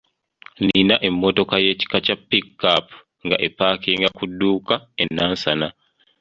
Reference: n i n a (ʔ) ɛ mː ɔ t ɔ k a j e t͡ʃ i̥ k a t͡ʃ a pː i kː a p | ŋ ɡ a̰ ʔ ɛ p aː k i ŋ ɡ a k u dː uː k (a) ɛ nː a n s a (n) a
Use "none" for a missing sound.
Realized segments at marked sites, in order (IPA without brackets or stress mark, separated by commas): ʔ, a, n